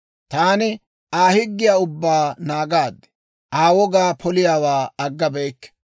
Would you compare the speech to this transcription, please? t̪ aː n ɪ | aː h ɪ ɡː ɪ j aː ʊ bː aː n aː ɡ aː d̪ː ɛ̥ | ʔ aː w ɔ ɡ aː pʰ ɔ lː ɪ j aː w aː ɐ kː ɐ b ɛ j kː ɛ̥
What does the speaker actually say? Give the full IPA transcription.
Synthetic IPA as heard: t̪ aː n ɪ | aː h ɪ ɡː ɪ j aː ʊ bː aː n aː ɡ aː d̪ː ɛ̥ | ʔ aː w ɔ ɡ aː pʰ ɔ l ɪ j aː w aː ɐ ɡː ɐ b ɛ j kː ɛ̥